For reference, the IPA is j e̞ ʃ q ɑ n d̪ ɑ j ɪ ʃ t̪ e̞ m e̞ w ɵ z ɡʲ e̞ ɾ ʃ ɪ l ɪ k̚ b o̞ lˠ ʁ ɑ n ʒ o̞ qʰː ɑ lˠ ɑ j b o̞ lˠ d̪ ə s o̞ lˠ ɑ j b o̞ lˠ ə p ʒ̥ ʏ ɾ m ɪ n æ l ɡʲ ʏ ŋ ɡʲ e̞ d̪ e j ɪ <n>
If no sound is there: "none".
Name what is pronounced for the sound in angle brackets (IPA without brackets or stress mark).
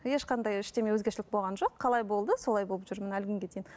n